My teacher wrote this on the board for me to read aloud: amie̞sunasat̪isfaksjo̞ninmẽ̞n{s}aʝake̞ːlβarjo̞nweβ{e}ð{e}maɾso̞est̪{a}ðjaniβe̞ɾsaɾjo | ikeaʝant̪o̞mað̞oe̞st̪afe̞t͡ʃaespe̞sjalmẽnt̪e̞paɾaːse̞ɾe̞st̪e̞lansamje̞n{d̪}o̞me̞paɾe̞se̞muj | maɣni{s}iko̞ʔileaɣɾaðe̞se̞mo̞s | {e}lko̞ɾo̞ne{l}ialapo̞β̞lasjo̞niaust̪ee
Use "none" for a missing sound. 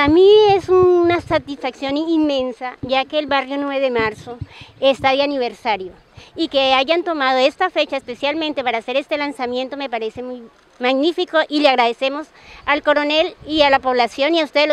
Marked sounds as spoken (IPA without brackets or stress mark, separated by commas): s, e, e, a, t̪, f, a, l